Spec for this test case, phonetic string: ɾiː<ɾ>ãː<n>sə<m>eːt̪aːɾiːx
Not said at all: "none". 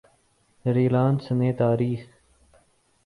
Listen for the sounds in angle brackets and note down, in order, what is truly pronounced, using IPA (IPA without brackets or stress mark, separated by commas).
l, n, n